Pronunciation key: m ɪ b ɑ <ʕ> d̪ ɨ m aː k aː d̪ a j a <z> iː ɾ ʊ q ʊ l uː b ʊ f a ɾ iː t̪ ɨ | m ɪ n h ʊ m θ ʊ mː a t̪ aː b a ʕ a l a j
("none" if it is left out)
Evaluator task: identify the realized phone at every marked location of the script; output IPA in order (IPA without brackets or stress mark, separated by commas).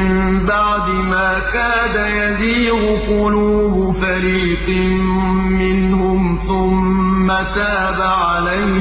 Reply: ʕ, z